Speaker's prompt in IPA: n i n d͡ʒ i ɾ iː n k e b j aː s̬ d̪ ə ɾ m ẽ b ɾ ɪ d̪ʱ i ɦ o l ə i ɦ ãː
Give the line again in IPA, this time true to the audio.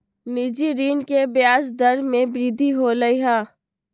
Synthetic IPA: n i d͡ʒ i ɾ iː n k e b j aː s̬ d̪ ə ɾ m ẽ b ɾ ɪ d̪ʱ i ɦ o l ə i ɦ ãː